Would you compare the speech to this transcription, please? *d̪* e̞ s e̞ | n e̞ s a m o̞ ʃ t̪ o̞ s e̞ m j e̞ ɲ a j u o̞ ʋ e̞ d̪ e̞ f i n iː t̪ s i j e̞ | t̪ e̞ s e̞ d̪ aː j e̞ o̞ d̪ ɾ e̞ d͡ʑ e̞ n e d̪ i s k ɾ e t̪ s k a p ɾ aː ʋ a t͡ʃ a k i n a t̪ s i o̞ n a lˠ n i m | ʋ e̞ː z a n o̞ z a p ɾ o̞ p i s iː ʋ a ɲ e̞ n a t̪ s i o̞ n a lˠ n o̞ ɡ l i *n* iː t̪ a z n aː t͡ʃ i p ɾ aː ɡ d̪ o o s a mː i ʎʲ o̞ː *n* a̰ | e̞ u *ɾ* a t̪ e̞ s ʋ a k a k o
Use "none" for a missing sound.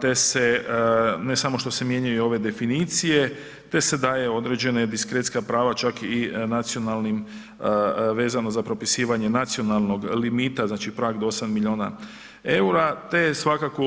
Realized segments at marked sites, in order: t̪, m, n, ɾ

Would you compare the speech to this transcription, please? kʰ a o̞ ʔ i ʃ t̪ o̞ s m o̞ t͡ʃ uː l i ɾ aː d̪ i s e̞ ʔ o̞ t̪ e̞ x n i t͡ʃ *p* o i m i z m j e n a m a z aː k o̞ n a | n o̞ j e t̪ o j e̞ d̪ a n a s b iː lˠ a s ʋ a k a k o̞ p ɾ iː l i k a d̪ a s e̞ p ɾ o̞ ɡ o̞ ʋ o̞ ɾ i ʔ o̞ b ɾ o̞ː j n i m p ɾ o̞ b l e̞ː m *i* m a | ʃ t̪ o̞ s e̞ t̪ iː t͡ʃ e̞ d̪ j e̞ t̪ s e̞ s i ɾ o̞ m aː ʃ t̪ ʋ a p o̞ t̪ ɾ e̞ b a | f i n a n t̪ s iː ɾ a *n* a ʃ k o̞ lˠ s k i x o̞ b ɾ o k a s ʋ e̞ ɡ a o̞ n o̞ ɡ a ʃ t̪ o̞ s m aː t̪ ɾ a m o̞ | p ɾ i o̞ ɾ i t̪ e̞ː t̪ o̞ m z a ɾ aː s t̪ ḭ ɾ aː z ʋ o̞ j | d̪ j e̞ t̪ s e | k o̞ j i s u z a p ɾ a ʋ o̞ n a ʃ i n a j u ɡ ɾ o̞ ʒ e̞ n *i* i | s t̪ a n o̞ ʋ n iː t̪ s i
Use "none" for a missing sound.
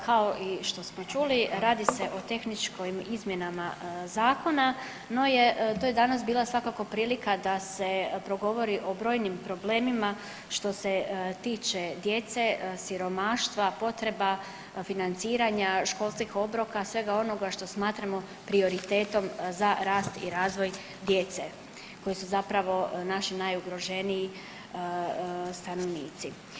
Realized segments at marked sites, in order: k, i, ɲ, i

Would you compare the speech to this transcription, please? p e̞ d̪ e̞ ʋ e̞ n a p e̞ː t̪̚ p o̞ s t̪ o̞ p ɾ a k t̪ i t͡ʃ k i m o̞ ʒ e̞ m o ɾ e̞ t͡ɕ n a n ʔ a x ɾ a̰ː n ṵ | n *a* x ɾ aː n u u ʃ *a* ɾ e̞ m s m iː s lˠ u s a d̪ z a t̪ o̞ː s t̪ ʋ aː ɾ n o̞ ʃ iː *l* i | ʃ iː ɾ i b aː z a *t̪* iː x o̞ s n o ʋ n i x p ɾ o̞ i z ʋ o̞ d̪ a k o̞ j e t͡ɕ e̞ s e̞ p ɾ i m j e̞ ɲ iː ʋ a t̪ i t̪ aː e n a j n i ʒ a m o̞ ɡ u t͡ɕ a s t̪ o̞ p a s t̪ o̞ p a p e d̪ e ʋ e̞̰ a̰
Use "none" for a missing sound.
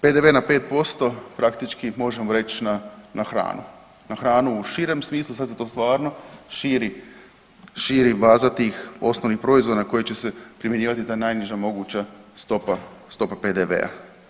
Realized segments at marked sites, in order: a, i, ɾ, t̪

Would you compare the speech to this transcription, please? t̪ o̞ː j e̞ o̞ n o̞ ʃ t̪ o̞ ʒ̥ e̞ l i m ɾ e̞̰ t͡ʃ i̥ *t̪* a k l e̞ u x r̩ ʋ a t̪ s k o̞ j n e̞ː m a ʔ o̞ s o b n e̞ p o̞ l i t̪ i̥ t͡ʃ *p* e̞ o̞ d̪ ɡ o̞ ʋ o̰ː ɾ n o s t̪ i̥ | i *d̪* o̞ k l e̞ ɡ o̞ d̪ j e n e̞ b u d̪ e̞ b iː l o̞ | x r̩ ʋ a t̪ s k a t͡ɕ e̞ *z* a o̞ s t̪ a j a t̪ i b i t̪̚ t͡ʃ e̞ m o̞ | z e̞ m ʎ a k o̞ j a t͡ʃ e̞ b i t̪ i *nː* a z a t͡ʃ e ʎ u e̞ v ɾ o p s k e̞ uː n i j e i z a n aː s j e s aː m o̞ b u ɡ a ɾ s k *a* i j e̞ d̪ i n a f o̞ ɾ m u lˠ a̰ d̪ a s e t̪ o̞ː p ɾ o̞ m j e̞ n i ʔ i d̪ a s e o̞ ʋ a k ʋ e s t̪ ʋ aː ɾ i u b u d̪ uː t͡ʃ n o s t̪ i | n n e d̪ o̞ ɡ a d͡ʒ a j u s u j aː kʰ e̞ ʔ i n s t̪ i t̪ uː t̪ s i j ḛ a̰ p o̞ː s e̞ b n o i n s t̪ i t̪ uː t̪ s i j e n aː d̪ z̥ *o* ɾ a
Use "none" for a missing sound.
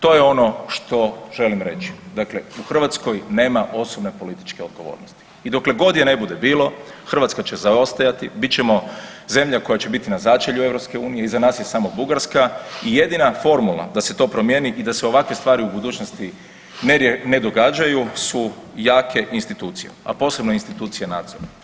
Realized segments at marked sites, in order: d̪, k, d̪, z, n, a, o

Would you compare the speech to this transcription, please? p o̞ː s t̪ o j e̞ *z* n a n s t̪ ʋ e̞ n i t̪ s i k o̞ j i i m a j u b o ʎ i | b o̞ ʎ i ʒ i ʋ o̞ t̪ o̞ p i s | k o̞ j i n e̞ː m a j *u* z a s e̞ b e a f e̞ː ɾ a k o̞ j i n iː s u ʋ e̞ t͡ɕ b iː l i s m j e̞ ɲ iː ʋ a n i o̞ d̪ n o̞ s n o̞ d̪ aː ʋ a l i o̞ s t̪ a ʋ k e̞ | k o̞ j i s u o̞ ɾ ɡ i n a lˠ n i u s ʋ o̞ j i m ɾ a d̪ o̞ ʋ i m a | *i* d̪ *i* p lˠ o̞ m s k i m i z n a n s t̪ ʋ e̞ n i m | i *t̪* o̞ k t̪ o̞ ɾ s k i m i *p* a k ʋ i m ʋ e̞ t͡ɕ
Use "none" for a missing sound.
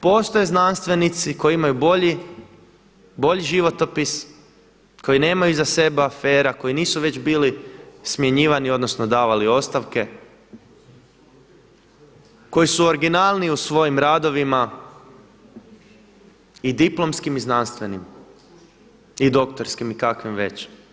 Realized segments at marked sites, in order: z, u, i, i, d̪, k

